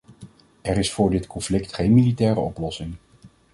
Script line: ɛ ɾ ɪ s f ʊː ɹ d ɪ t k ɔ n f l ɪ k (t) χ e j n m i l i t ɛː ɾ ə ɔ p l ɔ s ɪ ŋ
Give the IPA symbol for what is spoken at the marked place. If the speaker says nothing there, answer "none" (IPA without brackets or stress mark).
t